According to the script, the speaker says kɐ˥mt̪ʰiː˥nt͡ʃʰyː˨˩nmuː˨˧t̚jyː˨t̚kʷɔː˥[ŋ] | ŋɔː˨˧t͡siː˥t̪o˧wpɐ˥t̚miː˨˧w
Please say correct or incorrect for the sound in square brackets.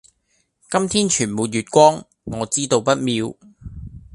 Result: correct